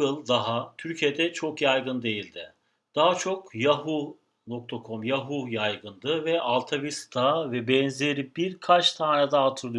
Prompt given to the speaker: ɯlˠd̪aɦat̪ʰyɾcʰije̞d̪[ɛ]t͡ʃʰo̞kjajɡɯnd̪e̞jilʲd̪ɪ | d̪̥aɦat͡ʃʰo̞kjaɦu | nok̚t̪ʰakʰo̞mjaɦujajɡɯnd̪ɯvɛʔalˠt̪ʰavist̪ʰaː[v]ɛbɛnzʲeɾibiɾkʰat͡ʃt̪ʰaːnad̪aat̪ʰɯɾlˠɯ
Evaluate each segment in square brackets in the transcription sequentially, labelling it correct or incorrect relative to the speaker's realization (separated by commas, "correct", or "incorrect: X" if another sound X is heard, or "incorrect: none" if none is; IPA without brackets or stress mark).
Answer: correct, correct